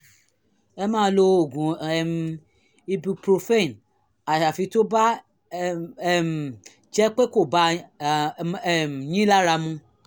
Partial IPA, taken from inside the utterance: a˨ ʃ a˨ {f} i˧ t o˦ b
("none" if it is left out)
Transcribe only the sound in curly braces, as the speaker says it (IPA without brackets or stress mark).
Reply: f